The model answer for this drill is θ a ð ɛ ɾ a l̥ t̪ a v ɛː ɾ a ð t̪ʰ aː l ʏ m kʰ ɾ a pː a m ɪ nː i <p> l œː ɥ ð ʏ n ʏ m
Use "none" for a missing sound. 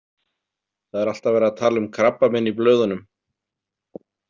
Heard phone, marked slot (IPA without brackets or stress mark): p